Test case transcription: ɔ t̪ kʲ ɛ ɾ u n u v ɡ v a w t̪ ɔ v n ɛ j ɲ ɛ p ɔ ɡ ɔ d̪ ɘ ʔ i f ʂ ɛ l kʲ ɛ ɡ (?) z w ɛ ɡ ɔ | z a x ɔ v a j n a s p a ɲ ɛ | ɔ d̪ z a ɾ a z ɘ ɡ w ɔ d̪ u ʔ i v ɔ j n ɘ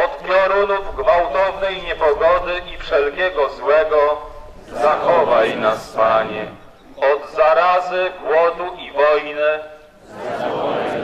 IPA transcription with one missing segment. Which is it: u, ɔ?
ɔ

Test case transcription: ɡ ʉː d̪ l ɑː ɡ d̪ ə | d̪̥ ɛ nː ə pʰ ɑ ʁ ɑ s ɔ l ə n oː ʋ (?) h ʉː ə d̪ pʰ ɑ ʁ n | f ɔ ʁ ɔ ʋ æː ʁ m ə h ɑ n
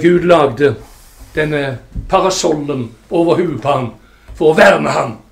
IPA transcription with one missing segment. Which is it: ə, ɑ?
ə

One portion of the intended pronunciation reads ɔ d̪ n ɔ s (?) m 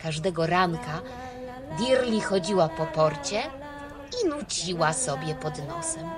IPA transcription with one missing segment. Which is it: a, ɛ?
ɛ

